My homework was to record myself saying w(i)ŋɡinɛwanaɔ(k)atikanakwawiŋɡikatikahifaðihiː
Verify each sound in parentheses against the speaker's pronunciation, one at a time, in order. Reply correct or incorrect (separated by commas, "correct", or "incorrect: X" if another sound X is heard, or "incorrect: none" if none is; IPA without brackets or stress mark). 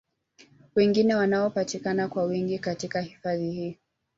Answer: incorrect: ɛ, incorrect: p